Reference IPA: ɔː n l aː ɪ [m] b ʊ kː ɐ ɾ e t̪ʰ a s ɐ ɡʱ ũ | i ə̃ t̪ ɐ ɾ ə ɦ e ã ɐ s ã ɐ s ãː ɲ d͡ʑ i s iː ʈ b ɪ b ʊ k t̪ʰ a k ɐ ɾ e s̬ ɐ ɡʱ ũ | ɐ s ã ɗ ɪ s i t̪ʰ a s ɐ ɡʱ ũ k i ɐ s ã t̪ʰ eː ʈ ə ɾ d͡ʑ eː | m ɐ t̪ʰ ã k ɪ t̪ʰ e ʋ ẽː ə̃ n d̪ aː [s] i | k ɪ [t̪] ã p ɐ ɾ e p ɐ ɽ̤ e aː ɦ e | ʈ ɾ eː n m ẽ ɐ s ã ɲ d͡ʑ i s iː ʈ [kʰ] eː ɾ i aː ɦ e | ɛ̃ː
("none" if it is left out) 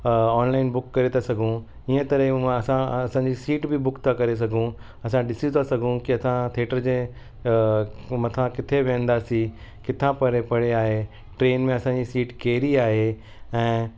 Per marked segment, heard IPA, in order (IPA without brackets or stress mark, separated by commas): n, s, t̪ʰ, k